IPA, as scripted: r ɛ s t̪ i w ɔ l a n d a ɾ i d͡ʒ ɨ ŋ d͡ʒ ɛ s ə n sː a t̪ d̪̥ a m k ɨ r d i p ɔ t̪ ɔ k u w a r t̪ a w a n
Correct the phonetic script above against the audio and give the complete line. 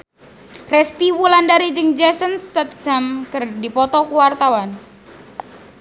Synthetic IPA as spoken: r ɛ s t̪ i w u l a n d a ɾ i d͡ʒ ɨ ŋ d͡ʒ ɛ s ə n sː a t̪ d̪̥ a m k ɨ r d i p ɔ t̪ ɔ k u w a r t̪ a w a n